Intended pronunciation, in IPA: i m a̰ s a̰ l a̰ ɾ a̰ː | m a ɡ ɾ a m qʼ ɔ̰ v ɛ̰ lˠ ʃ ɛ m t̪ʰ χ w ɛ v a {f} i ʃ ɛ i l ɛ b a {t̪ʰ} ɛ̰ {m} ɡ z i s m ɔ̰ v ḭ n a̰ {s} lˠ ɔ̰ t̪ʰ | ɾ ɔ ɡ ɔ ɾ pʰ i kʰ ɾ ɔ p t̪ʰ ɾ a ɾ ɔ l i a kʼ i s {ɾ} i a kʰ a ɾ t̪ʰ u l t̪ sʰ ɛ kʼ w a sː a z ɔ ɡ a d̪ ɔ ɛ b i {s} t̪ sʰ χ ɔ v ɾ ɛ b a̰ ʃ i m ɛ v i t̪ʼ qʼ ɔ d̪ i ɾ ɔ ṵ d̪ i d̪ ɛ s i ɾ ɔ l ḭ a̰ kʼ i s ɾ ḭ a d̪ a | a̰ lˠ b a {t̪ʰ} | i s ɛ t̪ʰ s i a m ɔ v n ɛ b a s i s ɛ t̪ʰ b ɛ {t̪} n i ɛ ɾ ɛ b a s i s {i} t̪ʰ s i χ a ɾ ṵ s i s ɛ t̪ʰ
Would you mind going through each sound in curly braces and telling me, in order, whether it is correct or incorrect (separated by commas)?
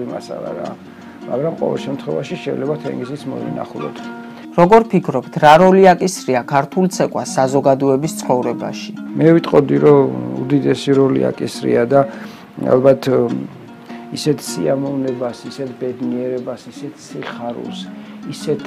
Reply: incorrect, correct, incorrect, incorrect, correct, correct, correct, incorrect, incorrect